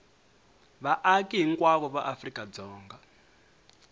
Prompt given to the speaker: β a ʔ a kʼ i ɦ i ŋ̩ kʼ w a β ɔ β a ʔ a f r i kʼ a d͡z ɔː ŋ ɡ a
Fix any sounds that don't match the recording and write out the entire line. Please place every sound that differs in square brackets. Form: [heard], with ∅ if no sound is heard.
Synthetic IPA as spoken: β a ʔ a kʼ i ɦ i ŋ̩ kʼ w a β ɔ β a ʔ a f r i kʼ a d͡z ɔː ŋ ɡ a